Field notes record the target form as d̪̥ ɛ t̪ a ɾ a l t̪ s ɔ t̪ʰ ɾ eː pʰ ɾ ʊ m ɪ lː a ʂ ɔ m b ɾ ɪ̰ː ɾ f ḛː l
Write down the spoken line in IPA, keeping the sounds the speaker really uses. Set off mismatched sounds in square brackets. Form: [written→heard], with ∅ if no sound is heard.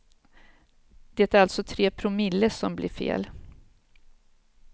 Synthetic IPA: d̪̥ ɛ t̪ [a→æ] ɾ a l t̪ s ɔ t̪ʰ ɾ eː pʰ ɾ ʊ m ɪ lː [a→ə] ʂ ɔ m b [ɾ→l] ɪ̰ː ɾ f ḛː l